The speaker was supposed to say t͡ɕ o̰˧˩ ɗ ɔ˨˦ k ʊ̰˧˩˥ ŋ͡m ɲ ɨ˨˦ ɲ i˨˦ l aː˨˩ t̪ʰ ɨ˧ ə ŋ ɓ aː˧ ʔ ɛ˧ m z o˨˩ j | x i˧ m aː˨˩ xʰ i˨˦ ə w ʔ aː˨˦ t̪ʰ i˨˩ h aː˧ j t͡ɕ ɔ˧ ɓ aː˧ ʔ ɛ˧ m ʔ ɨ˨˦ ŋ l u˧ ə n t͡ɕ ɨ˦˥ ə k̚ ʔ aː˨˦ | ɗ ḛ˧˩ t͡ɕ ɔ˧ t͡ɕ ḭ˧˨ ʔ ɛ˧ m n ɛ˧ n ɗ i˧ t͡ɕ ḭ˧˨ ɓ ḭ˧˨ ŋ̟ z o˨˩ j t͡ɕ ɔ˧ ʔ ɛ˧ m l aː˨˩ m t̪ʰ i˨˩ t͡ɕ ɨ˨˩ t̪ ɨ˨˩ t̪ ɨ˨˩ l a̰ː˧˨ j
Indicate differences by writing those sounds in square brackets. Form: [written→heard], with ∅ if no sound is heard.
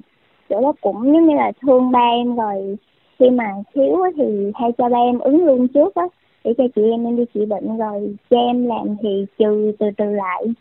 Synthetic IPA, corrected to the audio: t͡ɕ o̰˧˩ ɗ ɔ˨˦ k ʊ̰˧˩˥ ŋ͡m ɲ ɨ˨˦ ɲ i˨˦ l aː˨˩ t̪ʰ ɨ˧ ə ŋ ɓ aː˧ ʔ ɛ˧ m z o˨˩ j | x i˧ m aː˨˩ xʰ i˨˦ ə w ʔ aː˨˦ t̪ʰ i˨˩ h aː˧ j t͡ɕ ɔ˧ ɓ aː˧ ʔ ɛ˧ m ʔ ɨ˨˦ ŋ l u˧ ə n t͡ɕ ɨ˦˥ ə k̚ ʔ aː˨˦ | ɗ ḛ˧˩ t͡ɕ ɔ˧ t͡ɕ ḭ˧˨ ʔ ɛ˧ m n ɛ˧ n ɗ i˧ t͡ɕ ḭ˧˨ ɓ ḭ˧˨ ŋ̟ z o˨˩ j t͡ɕ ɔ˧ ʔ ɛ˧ m l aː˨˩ m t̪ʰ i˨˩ t͡ɕ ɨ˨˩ t̪ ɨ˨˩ t̪ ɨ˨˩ l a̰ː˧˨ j